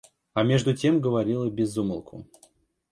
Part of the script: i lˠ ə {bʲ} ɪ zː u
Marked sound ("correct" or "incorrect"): correct